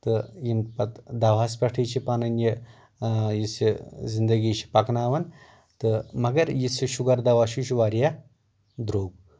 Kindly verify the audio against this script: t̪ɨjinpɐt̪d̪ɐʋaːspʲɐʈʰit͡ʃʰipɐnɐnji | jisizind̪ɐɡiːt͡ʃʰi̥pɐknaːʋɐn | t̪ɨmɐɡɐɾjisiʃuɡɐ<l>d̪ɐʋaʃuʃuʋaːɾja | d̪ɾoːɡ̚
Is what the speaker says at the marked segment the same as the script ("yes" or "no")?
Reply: no